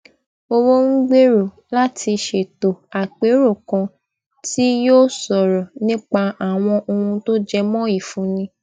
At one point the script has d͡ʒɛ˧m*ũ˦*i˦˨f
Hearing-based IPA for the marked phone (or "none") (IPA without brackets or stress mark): ɔ̃˦